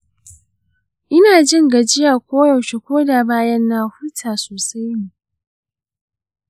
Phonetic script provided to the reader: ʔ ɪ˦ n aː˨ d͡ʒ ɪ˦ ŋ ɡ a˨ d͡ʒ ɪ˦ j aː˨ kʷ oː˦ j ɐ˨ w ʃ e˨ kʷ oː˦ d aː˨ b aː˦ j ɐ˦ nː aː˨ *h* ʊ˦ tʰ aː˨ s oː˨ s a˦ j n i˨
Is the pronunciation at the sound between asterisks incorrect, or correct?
correct